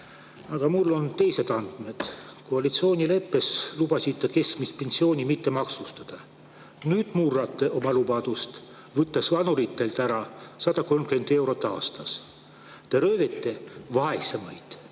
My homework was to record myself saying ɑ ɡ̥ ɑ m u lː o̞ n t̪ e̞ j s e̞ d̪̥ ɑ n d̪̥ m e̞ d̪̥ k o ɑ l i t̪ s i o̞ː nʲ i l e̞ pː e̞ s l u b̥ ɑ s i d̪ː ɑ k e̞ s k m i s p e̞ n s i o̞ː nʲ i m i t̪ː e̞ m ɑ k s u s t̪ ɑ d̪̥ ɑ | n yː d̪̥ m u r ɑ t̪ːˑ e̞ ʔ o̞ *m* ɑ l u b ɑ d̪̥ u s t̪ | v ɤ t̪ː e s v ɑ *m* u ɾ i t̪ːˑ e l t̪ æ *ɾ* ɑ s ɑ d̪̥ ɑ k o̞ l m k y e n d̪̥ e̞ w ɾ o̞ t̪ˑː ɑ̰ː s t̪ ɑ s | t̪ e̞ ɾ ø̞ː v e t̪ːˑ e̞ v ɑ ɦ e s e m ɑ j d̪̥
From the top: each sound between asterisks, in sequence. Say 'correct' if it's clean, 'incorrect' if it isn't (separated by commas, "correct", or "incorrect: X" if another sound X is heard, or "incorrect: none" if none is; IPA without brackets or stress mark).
correct, incorrect: n, correct